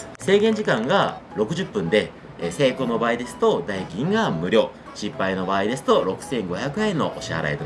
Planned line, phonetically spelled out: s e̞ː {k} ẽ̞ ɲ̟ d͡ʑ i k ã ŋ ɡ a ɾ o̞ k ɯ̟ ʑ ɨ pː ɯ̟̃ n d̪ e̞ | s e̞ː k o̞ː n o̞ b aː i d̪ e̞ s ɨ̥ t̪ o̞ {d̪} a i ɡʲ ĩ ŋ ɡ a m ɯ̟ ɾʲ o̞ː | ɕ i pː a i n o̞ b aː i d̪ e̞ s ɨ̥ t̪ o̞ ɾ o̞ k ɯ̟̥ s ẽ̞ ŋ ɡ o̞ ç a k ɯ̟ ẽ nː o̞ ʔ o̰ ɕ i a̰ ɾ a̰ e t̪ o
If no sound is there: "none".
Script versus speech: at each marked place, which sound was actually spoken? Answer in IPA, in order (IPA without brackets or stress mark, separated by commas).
ɡ, d̪